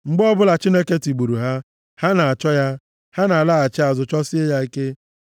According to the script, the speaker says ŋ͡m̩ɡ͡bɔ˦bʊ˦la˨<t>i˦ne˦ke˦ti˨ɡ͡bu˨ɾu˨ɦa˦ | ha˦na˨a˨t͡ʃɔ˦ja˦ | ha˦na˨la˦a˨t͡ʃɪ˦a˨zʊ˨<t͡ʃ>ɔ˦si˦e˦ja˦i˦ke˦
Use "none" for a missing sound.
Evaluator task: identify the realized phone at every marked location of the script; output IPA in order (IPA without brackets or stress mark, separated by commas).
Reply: t͡ʃ, t͡ʃ